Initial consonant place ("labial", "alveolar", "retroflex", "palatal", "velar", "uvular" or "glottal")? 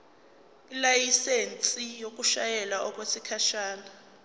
alveolar